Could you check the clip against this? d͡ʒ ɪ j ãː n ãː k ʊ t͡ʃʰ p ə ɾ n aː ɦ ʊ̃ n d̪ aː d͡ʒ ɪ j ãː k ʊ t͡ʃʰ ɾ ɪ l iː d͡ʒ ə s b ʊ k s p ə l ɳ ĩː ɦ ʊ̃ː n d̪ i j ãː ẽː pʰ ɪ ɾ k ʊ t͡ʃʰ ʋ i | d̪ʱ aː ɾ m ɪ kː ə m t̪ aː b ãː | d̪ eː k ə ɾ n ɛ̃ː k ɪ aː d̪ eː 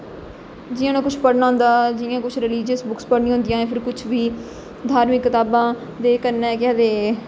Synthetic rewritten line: d͡ʒ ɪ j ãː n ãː k ʊ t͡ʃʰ p ə ɽ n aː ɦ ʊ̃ n d̪ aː d͡ʒ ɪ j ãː k ʊ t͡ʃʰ ɾ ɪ l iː d͡ʒ ə s b ʊ k s p ə ɽ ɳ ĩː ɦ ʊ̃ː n d̪ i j ãː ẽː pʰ ɪ ɾ k ʊ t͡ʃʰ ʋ iː | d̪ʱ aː ɾ m ɪ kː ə t̪ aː b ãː | d̪ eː k ə ɾ n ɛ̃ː k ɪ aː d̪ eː

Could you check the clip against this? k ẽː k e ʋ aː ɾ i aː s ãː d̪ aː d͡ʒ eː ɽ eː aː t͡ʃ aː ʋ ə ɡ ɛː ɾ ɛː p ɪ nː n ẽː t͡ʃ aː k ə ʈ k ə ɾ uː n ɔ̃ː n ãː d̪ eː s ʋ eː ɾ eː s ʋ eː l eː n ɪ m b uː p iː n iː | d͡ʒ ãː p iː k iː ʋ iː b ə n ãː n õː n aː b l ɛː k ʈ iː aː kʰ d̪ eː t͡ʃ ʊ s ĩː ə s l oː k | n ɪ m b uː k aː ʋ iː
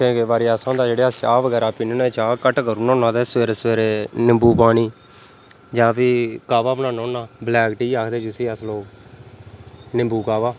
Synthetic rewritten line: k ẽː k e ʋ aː ɾ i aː s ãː d̪ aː d͡ʒ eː ɽ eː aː t͡ʃ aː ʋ ə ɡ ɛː ɾ aː p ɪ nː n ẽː t͡ʃ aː k ə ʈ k ə ɾ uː n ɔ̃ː n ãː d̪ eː s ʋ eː ɾ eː s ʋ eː ɾ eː n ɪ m b uː p aː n iː | d͡ʒ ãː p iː k aː ʋ aː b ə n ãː n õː n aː b l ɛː k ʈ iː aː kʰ d̪ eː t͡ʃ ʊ s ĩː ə s l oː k | n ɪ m b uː k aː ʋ aː

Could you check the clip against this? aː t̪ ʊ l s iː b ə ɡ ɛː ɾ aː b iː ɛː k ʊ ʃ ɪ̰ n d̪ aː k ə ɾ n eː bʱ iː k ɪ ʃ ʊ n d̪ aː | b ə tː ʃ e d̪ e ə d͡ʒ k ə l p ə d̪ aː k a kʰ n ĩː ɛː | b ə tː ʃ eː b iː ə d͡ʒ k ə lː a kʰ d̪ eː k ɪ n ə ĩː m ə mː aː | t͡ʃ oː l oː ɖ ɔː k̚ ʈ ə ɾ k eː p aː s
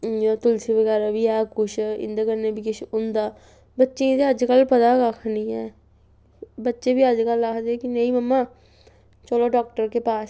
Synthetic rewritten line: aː t̪ ʊ l s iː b ə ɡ ɛː ɾ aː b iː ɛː k ʊ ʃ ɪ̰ n d̪ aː k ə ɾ n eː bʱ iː k ɪ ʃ ʊ n d̪ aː | b ə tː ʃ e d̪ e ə d͡ʒ k ə l p ə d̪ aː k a kʰ n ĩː ɛː | b ə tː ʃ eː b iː ə d͡ʒ k ə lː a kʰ d̪ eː k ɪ n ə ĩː m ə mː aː | t͡ʃ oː l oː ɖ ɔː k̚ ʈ ə ɾ k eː p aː s

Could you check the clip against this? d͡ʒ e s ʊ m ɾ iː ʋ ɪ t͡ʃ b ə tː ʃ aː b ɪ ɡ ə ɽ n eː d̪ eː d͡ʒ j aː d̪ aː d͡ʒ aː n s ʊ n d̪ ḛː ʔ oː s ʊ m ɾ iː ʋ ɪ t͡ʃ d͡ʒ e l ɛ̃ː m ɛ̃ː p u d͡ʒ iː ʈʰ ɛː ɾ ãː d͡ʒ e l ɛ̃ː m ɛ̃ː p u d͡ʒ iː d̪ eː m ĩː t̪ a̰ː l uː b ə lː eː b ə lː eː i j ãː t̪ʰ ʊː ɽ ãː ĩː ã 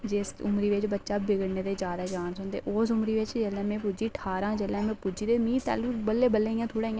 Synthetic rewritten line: d͡ʒ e s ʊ m ɾ iː ʋ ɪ t͡ʃ b ə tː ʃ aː b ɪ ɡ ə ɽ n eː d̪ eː d͡ʒ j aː d̪ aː d͡ʒ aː n s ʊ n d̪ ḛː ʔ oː s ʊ m ɾ iː ʋ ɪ t͡ʃ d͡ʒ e l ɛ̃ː m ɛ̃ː p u d͡ʒ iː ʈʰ aː ɾ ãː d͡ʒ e l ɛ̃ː m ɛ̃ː p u d͡ʒ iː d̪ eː m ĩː t̪ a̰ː l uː b ə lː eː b ə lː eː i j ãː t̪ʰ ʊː ɽ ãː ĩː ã

